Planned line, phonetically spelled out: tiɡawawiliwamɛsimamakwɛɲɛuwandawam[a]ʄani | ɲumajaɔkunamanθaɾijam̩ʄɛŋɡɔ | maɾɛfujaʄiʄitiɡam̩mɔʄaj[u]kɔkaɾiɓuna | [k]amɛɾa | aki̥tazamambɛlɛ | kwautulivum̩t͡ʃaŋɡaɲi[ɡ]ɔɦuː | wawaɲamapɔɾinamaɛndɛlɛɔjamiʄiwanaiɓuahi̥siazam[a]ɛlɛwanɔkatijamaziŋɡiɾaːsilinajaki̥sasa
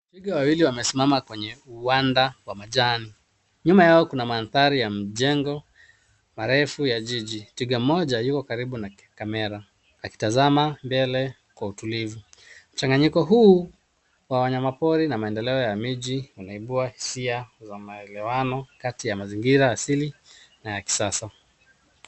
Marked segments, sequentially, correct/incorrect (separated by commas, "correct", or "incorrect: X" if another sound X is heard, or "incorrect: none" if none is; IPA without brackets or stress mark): correct, correct, correct, incorrect: k, correct